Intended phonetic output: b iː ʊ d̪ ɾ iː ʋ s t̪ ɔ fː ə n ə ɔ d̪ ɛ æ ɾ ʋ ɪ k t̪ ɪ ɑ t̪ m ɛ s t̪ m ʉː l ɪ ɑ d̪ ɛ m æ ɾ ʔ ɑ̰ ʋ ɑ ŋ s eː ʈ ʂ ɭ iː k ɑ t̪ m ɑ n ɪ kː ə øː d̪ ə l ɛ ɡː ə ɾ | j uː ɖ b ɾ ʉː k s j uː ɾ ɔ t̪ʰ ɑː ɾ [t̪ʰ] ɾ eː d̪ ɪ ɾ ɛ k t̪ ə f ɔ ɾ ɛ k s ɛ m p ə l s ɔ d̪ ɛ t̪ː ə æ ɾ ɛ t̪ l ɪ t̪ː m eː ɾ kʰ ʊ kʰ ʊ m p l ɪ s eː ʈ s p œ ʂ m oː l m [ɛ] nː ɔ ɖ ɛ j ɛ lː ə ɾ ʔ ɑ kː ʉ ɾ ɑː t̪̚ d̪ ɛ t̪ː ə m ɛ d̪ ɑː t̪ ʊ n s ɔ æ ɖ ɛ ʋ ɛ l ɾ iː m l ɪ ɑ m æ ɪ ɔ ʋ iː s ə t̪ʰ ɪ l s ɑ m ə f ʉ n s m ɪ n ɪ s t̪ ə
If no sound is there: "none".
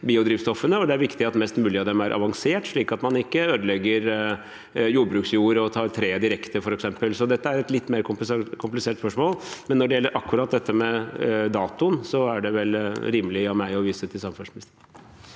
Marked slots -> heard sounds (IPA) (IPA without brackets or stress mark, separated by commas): t̪ʰ, ɛ